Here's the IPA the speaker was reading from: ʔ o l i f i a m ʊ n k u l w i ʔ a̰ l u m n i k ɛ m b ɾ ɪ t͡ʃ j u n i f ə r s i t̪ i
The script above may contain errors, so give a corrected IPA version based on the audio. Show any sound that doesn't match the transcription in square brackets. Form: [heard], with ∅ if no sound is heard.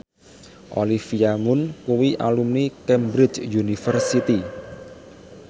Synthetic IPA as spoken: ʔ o l i f i a m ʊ n k u [∅] w i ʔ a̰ l u m n i k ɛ m b ɾ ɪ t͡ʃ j u n i f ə r s i t̪ i